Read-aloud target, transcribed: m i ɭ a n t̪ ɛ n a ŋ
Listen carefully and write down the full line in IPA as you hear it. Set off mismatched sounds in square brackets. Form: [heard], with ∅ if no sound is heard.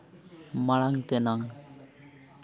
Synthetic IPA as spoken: m [a] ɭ a [ŋ] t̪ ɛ n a ŋ